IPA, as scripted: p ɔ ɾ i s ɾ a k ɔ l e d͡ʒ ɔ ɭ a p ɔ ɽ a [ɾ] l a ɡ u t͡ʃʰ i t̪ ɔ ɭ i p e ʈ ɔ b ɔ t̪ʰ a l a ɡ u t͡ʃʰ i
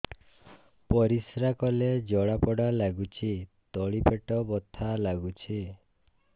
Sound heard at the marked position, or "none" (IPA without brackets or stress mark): none